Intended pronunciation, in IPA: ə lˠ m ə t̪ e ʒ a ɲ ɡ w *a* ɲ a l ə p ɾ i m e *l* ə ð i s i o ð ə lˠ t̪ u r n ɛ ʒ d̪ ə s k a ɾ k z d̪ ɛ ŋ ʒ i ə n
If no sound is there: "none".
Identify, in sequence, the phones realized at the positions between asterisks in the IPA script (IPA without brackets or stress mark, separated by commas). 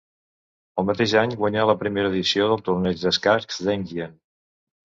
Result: ə, ɾ